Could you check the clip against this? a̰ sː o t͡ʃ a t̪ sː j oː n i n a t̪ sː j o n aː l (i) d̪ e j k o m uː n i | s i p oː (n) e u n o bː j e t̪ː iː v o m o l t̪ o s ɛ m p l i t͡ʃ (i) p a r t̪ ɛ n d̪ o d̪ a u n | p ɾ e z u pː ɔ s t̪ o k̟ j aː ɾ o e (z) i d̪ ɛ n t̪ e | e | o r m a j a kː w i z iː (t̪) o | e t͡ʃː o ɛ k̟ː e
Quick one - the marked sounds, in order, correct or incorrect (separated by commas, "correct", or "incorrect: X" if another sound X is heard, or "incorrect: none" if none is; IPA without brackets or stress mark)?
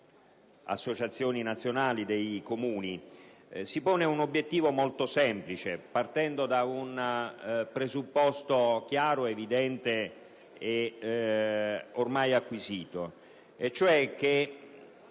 correct, correct, incorrect: e, incorrect: v, correct